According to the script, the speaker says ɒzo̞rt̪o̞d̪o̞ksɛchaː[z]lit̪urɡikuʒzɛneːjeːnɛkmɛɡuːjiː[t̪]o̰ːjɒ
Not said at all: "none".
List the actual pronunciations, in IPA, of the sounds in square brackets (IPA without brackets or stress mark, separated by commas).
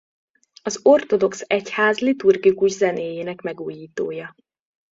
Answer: z, t̪